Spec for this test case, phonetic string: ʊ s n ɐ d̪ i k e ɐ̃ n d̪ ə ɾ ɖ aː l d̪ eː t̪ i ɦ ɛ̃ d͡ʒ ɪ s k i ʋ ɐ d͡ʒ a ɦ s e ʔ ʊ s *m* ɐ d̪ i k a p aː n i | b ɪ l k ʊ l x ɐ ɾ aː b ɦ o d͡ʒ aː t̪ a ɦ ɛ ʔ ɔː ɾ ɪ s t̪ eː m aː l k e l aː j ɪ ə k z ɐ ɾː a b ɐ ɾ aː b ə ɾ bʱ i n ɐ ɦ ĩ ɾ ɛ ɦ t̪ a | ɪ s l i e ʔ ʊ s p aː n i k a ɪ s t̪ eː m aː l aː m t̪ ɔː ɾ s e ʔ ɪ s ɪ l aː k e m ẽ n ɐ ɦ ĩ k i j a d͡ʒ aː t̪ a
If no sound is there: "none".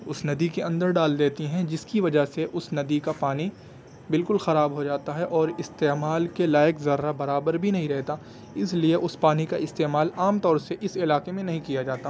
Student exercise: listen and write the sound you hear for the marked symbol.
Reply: n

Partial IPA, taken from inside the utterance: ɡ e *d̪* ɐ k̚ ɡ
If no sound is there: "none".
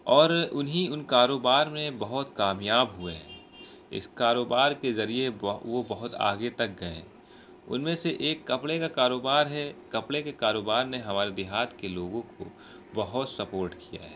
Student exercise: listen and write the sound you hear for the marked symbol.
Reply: t̪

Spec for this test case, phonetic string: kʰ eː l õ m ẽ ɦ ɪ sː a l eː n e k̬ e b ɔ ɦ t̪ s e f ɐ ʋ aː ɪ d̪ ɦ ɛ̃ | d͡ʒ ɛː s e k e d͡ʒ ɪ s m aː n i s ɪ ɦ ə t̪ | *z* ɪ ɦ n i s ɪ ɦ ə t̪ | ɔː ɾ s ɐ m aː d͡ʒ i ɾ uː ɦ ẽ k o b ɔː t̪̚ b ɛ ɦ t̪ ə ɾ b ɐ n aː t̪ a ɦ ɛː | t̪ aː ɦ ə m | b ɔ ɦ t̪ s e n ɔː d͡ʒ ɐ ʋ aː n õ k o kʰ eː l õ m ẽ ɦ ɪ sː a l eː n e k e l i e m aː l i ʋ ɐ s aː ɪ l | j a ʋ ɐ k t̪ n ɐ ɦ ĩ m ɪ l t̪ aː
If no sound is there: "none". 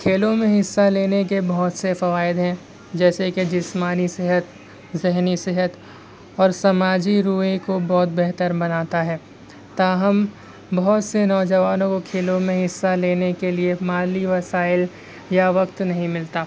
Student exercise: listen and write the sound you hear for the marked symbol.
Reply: z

